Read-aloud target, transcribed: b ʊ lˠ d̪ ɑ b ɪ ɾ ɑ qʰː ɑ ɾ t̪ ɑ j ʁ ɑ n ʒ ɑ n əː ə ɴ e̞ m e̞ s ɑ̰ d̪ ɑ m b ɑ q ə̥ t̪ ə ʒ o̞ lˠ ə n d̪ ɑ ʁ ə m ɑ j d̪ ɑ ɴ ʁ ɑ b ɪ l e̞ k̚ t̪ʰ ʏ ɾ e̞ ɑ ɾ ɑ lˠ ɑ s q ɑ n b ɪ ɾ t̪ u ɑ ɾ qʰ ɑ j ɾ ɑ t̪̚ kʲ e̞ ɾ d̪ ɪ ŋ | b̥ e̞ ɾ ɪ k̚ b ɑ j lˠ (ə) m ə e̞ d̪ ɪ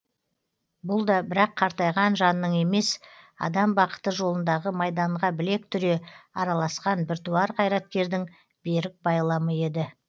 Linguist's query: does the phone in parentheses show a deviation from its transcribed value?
yes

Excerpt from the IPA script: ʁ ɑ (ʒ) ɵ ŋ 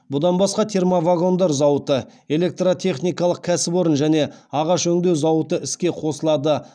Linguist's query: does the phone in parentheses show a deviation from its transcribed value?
yes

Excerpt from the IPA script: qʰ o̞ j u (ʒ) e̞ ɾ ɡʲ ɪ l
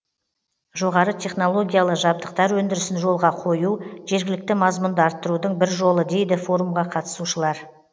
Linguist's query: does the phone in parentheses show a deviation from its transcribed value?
no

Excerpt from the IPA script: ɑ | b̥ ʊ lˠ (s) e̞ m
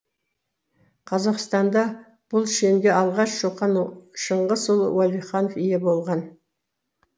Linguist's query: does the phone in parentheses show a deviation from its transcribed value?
yes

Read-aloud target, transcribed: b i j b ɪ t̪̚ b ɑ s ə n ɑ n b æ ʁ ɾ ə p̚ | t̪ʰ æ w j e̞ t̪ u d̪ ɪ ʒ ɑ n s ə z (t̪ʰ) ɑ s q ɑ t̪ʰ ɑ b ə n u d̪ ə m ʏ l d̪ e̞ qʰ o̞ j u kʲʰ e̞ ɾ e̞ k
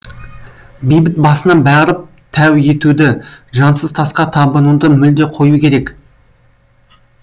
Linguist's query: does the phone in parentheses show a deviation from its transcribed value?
no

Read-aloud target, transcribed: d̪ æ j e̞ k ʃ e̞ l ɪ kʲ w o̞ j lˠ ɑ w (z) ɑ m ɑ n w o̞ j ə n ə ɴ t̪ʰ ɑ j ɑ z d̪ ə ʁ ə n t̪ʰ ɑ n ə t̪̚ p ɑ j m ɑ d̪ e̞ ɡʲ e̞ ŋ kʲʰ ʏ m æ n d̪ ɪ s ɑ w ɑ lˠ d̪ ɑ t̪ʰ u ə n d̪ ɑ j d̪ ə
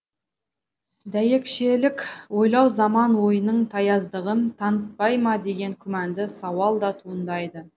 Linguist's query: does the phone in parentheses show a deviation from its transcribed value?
no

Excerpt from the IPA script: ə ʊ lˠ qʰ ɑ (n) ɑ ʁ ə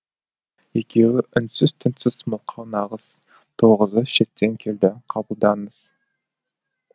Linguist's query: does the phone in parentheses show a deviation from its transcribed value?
no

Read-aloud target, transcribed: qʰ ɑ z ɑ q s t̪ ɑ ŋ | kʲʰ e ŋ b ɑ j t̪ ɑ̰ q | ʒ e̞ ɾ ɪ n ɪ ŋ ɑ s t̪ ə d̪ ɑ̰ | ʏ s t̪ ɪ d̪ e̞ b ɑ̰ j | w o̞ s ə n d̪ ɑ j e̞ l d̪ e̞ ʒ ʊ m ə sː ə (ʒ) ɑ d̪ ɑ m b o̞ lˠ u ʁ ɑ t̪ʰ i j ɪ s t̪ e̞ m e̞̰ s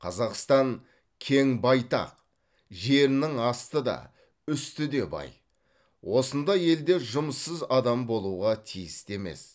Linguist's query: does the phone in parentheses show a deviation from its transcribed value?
yes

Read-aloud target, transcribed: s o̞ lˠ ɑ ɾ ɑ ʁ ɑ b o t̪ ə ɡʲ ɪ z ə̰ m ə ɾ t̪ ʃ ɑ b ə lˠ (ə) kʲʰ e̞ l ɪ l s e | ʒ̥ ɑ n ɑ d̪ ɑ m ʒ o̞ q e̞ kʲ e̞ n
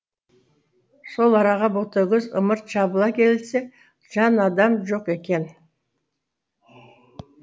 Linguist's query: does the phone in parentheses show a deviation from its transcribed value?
yes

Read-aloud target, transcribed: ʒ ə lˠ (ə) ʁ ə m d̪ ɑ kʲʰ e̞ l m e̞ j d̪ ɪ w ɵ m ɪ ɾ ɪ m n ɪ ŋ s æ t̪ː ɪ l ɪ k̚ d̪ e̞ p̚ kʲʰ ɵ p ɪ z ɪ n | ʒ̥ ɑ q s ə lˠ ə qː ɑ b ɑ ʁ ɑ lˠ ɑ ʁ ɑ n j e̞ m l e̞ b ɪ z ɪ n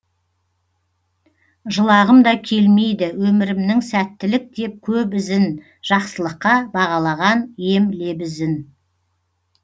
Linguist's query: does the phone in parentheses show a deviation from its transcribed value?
yes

